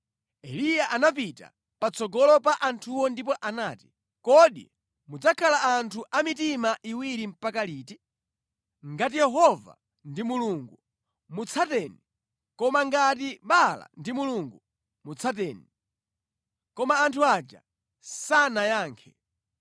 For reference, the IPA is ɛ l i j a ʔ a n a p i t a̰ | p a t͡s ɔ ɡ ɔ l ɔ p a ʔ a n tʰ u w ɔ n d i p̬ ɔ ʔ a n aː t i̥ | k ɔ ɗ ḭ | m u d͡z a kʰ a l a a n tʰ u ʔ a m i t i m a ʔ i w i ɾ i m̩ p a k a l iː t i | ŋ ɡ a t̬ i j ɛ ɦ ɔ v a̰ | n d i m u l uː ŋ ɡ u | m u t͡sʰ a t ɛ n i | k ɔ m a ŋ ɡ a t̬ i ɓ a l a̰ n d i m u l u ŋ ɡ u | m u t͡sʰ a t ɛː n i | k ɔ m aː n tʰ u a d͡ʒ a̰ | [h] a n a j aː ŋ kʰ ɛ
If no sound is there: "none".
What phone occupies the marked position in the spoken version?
s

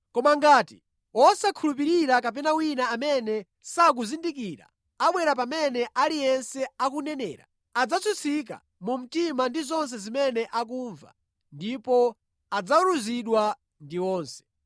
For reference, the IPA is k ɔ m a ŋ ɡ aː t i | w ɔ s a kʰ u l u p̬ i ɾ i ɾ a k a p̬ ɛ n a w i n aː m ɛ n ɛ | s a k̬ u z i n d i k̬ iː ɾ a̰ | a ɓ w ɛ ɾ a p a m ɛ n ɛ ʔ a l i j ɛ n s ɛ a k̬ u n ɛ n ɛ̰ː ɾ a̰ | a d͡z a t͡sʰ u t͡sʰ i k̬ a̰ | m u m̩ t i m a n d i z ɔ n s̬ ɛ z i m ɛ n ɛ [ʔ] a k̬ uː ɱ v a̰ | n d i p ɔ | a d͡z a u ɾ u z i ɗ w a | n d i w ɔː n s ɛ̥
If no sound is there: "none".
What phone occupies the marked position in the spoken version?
ʔ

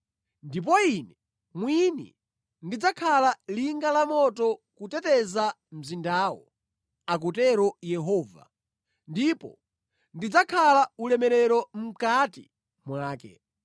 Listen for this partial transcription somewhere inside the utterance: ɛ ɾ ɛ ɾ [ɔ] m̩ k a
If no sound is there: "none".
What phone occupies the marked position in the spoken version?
ɔ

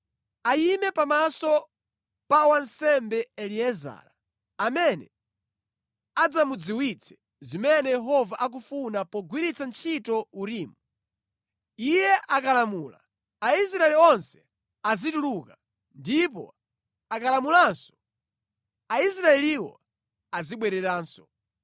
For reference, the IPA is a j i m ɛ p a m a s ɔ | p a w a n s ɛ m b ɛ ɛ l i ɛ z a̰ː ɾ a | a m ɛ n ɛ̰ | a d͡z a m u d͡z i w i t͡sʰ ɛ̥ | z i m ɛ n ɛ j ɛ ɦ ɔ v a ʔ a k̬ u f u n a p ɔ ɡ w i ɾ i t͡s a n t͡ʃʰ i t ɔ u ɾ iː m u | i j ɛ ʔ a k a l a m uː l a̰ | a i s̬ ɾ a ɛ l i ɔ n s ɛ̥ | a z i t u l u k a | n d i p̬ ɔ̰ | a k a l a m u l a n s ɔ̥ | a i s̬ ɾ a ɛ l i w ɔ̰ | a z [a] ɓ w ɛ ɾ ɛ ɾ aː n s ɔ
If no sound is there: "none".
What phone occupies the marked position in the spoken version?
i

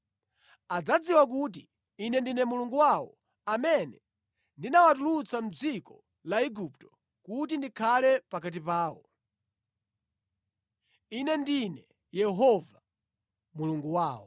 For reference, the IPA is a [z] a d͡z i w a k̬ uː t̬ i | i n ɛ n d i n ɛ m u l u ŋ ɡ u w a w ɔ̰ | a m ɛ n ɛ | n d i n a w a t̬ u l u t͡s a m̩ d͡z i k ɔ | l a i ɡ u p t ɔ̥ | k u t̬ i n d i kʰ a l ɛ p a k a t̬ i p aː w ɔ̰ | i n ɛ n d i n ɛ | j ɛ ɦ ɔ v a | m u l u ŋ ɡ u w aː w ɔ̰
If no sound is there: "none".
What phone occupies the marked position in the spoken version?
d͡z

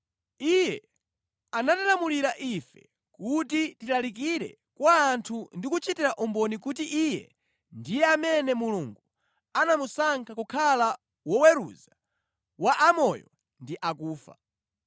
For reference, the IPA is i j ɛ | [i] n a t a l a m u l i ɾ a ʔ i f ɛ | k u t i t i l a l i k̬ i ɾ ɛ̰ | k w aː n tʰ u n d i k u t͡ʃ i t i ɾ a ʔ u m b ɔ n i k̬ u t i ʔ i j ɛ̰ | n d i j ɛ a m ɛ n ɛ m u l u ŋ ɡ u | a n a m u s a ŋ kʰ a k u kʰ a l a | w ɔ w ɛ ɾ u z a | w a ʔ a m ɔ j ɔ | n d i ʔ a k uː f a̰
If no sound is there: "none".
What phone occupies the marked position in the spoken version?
a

